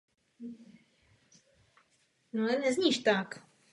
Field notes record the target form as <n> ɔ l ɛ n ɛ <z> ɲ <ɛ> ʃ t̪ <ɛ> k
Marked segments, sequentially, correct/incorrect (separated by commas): correct, correct, incorrect, incorrect